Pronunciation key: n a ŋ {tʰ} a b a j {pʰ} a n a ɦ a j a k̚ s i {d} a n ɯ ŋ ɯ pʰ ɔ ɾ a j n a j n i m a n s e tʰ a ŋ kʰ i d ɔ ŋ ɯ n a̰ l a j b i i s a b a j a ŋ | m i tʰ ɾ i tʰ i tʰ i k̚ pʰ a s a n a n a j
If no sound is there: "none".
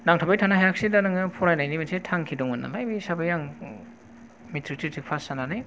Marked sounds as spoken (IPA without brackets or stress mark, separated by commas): tʰ, tʰ, d